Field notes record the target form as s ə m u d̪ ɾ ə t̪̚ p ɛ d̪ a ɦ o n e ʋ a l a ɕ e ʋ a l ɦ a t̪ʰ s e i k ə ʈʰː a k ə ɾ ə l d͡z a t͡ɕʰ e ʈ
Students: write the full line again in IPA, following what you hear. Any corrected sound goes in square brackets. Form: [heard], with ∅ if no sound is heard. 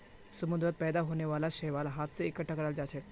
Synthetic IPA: s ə m u d̪ ɾ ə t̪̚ p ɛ d̪ a ɦ o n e ʋ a l a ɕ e ʋ a l ɦ a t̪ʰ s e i k ə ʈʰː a k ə ɾ [a] l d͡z a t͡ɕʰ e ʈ